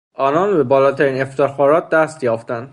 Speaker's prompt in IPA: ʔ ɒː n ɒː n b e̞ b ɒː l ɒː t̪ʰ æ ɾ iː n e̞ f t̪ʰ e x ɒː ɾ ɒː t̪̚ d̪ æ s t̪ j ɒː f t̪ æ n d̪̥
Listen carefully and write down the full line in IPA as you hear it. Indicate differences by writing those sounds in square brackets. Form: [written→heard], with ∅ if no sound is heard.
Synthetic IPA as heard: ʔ ɒː n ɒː n b e̞ b ɒː l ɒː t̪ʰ æ ɾ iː n e̞ f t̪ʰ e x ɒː ɾ ɒː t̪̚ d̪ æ s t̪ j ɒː f t̪ æ n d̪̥